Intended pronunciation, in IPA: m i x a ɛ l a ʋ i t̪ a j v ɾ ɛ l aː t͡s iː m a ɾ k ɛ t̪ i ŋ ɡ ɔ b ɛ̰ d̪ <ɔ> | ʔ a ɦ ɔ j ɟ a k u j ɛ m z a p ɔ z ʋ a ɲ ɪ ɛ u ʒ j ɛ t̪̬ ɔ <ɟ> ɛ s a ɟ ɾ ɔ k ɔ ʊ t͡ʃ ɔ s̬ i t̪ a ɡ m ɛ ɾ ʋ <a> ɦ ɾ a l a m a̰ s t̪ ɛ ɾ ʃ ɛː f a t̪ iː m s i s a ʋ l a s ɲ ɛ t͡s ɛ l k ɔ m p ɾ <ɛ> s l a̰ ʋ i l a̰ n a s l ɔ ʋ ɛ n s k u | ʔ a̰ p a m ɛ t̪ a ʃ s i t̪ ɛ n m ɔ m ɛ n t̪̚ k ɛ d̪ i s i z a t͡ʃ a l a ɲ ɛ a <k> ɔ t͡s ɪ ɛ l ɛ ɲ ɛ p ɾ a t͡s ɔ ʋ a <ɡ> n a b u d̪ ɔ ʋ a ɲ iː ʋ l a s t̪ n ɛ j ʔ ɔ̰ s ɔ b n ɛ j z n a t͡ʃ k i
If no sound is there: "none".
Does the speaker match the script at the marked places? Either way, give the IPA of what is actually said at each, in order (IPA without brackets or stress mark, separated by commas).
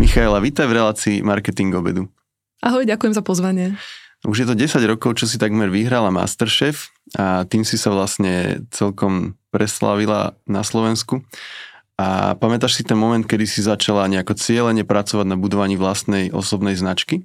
u, ɟ, i, ɛ, k, ɟ